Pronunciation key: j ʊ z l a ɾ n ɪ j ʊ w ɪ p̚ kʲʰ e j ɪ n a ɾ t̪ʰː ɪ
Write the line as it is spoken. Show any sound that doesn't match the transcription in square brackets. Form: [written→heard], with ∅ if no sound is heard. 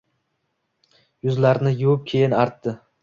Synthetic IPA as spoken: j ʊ z l a ɾ n ɪ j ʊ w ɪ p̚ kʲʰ e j ɪ n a ɾ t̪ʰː ɪ